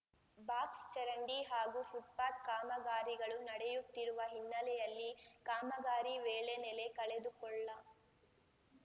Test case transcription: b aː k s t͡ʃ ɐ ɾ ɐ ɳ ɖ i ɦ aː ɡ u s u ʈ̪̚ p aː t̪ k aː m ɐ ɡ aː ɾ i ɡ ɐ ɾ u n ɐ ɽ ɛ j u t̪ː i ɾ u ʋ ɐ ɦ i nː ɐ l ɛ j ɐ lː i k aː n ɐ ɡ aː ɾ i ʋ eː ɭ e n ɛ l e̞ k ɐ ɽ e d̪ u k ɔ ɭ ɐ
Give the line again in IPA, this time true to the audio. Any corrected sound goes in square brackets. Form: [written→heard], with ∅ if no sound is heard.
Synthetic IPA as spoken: b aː k s t͡ʃ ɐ ɾ ɐ ɳ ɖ i ɦ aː ɡ u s u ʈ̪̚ p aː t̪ k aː m ɐ ɡ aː ɾ i ɡ ɐ [ɾ→ɭ] u n ɐ ɽ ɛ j u t̪ː i ɾ u ʋ ɐ ɦ i nː ɐ l ɛ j ɐ lː i k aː [n→m] ɐ ɡ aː ɾ i ʋ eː ɭ e n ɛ l e̞ k ɐ [ɽ→ɭ] e d̪ u k ɔ [ɭ→ɭː] ɐ